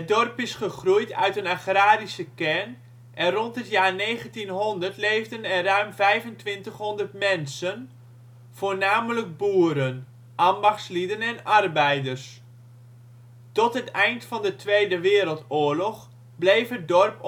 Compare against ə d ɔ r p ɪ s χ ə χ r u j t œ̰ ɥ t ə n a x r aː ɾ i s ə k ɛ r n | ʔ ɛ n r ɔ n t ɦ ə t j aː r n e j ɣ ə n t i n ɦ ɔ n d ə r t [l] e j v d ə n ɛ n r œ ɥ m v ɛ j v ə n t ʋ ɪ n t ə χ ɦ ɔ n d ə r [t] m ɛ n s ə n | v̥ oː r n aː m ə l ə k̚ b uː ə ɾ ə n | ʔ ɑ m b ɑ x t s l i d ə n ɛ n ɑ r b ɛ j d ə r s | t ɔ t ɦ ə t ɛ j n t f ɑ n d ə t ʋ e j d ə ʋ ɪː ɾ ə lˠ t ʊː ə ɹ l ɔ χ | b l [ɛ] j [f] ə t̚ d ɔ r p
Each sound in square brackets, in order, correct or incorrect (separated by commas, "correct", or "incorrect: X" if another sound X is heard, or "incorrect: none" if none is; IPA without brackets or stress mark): correct, correct, incorrect: e, correct